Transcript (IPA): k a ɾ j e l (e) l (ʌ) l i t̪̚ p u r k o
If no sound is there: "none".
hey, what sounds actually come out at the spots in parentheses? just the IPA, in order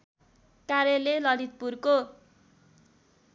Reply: e, ʌ

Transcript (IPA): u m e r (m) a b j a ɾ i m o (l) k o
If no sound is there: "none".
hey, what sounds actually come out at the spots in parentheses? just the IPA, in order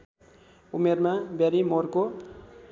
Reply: m, r

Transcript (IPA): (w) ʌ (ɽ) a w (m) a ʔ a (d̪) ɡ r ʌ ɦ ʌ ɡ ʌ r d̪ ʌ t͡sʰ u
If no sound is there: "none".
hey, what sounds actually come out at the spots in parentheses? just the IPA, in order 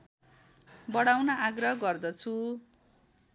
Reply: b, ɽ, n, none

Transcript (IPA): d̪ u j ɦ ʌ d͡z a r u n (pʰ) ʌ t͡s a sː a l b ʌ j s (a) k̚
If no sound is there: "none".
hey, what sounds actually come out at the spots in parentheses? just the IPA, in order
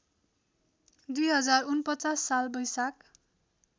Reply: p, a

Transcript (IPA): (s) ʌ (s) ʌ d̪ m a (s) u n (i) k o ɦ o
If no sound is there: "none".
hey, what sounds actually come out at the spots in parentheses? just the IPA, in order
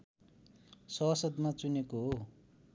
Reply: s, s, t͡s, e

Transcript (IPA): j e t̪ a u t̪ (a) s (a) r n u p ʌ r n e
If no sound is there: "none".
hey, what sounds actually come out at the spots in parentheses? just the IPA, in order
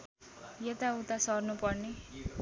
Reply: a, ʌ

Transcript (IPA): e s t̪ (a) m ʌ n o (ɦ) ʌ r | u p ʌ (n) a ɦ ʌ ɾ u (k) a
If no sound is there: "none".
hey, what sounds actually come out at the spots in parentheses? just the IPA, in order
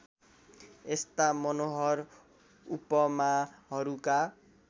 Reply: a, ɦ, m, k

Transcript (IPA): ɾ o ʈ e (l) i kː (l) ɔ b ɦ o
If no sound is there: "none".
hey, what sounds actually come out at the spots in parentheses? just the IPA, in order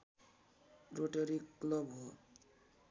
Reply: ɾ, l

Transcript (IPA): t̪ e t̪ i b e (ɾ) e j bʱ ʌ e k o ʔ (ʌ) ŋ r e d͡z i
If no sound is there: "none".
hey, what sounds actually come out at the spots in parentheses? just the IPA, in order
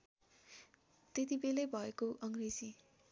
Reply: l, ʌ

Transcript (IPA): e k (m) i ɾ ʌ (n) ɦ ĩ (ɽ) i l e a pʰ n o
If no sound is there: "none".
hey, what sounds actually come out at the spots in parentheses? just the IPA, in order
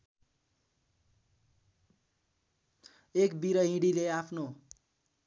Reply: b, none, ɽ

